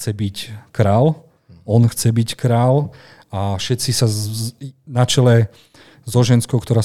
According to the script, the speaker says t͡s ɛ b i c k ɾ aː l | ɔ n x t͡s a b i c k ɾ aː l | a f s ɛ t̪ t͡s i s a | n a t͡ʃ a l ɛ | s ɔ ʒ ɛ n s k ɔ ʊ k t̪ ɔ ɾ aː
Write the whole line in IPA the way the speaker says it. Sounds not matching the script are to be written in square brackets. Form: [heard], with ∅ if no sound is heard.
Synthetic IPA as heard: t͡s ɛ b i c k ɾ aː l | ɔ n x t͡s [ɛ] b i c k ɾ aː l | a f [ʃ] ɛ t̪ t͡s i s a | n a t͡ʃ [ɛ] l ɛ | [z] ɔ ʒ ɛ n s k ɔ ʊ k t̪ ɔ ɾ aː